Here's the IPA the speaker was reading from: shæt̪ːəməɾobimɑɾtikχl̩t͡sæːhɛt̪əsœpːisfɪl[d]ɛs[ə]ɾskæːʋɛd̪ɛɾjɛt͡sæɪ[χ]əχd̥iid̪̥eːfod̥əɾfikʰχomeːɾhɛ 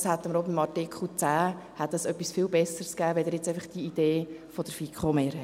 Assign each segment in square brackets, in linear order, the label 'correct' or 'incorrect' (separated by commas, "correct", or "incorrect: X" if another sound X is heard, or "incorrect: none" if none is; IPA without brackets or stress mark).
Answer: incorrect: b, correct, incorrect: f